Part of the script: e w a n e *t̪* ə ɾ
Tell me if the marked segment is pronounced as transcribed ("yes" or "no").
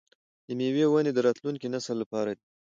no